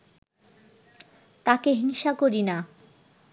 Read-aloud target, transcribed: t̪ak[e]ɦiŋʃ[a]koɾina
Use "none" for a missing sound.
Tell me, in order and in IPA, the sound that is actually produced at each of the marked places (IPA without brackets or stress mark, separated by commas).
e, a